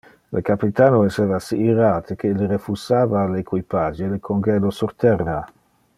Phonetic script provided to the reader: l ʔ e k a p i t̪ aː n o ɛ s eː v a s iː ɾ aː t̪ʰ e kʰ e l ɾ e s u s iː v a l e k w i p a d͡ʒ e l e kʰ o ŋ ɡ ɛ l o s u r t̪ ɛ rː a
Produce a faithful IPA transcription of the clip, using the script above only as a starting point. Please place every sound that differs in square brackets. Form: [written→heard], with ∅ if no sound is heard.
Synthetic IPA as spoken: l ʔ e k a p i t̪ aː n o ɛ s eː v a s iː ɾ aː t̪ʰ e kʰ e l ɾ e [s→f] u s [iː→aː] v a l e k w i p a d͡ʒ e l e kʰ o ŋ ɡ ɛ l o s u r t̪ ɛ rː a